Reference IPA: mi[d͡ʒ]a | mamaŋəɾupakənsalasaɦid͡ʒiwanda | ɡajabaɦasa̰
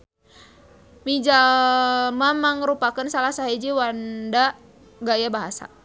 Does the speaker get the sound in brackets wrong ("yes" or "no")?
no